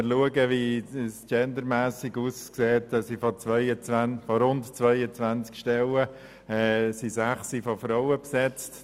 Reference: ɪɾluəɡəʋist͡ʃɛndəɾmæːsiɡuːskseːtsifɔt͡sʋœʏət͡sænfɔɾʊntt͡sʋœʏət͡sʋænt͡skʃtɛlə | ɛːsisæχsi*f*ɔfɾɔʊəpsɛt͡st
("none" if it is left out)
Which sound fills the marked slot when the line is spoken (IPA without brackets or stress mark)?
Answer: f